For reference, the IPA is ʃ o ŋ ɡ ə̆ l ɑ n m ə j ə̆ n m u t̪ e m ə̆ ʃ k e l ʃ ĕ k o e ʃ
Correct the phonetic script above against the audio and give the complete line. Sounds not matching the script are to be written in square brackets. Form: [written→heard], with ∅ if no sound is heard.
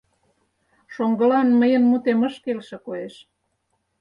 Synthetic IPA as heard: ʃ o ŋ ɡ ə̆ l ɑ n m ə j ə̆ n m u t̪ e m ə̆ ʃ k e l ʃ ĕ k o e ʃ